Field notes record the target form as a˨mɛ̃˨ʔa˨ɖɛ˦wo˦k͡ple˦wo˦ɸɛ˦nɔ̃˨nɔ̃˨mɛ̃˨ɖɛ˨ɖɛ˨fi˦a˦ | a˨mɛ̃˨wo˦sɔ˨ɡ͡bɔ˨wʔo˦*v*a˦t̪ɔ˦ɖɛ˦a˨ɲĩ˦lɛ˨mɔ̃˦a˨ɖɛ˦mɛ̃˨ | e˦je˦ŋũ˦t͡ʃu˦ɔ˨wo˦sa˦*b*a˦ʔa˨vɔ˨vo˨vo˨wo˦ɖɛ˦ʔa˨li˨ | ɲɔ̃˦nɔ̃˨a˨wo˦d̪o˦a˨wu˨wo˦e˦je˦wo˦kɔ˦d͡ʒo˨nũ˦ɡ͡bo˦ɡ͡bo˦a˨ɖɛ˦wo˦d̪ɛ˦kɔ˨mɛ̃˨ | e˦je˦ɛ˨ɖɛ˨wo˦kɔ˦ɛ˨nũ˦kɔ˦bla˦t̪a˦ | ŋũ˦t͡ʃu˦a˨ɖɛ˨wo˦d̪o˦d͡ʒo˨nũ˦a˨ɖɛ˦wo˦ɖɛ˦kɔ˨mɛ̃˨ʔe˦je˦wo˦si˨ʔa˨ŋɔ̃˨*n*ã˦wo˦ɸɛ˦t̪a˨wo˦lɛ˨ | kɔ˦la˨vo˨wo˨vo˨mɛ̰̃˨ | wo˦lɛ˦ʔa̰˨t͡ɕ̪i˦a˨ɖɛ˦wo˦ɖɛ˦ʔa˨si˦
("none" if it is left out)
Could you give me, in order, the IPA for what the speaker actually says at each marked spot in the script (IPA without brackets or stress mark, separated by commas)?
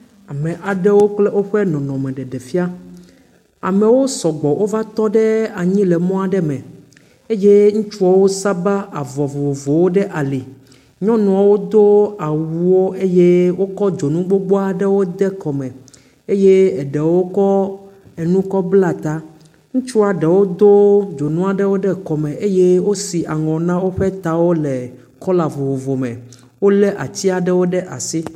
v, b, n